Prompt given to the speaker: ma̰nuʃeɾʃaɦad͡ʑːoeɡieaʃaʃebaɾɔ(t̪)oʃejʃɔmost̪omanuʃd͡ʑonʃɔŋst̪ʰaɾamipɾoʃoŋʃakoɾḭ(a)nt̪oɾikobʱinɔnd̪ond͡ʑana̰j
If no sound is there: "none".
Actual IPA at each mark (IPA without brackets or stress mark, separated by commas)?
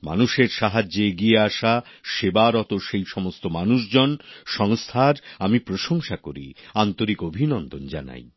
t̪, a